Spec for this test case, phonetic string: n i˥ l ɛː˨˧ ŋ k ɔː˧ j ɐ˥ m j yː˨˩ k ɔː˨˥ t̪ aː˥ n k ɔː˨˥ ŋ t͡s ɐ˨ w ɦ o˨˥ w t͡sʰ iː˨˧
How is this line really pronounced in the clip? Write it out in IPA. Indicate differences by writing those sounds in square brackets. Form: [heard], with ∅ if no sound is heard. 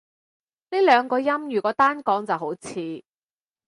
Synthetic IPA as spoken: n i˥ l [œː˨˧] ŋ k ɔː˧ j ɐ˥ m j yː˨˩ k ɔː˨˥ t̪ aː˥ n k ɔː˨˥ ŋ t͡s ɐ˨ w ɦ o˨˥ w t͡sʰ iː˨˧